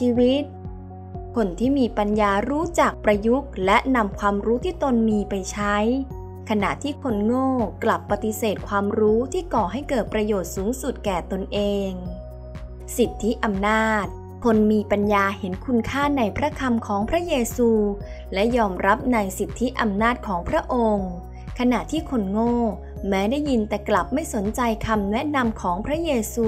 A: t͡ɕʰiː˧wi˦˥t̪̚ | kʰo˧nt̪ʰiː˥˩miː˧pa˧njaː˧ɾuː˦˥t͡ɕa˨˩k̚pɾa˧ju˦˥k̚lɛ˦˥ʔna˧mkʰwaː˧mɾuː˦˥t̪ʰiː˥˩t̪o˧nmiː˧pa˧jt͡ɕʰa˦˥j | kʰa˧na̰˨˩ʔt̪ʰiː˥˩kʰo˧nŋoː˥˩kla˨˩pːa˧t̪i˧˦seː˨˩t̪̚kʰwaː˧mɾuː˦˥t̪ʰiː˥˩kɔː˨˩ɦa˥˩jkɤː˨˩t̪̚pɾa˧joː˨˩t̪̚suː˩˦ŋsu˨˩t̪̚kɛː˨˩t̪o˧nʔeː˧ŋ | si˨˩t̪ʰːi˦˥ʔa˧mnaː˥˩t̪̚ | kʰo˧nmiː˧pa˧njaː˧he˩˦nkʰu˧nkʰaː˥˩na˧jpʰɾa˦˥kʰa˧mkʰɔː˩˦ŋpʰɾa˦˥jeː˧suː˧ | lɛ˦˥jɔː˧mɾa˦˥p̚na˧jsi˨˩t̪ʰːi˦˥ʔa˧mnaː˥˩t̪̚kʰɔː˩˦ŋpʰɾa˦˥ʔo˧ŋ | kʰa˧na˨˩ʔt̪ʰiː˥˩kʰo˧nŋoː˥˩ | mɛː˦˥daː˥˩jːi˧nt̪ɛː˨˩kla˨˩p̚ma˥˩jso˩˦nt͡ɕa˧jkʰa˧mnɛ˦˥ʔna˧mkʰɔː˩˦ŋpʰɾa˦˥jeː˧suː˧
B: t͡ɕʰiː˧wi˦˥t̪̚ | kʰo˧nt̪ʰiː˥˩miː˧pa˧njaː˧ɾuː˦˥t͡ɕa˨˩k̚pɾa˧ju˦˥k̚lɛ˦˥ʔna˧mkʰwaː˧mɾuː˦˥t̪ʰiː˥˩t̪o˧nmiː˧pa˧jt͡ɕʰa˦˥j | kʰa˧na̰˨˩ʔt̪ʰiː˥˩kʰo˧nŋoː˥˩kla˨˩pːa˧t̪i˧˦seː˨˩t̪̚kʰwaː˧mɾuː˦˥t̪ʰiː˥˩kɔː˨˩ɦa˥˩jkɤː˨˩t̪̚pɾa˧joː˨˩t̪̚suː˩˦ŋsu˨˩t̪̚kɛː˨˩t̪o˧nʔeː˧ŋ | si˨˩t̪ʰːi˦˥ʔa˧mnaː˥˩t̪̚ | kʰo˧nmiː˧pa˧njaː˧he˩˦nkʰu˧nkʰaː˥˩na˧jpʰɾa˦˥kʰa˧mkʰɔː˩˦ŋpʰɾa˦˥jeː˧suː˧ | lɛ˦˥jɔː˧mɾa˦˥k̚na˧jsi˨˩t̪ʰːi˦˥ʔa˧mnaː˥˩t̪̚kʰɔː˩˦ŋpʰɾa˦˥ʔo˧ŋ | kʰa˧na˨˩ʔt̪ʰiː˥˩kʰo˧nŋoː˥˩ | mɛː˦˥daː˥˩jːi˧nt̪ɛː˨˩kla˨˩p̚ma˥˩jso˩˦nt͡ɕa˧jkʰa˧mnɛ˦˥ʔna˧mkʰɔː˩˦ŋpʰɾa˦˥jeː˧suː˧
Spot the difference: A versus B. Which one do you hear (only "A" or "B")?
A